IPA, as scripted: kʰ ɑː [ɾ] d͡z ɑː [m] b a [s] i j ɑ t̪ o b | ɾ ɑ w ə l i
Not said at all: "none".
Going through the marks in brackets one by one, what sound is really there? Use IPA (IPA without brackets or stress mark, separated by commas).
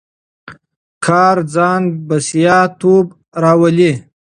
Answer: ɾ, n, s